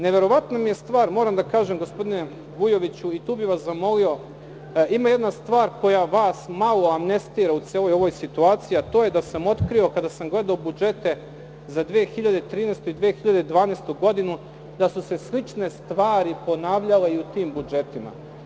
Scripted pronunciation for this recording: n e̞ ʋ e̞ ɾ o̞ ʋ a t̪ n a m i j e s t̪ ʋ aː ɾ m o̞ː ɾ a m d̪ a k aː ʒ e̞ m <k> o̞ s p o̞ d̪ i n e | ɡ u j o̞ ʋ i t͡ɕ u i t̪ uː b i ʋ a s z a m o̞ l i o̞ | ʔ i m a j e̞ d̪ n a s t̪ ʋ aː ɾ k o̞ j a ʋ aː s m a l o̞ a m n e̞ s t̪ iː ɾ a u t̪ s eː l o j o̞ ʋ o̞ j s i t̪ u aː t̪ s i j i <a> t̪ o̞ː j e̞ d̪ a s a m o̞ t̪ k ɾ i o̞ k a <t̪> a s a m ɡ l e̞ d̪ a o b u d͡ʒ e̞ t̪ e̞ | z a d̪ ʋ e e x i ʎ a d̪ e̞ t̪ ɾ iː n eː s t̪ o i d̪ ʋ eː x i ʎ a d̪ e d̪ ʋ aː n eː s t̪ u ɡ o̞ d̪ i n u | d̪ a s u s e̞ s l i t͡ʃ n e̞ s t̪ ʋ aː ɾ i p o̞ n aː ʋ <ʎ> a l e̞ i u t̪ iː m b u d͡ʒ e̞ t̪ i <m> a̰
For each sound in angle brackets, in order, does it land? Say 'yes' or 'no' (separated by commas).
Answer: no, yes, no, yes, yes